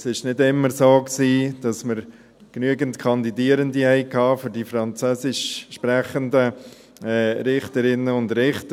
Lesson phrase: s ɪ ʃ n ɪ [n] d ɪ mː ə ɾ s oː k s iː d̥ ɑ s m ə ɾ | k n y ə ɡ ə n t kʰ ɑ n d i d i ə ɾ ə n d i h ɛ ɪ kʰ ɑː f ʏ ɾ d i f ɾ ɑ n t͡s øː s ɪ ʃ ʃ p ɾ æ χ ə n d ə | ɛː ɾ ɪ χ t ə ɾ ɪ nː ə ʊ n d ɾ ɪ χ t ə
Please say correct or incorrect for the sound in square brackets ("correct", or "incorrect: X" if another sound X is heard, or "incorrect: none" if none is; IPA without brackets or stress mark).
incorrect: none